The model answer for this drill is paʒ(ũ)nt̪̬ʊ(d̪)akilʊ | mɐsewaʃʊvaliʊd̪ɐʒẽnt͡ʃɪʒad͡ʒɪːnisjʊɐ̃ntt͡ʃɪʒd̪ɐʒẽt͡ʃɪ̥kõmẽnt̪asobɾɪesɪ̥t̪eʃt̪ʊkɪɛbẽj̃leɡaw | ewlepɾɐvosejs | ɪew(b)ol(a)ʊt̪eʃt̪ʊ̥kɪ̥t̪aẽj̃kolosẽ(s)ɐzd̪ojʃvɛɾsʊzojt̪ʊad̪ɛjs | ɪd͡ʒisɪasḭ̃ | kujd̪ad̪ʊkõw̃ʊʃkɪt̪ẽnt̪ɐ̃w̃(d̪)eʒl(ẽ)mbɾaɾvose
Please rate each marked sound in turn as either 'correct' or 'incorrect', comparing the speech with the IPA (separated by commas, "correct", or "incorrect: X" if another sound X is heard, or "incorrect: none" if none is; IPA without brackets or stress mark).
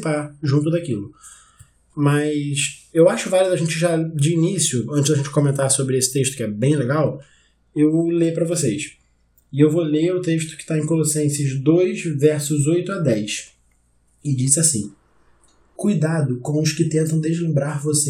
correct, correct, incorrect: v, incorrect: e, correct, correct, correct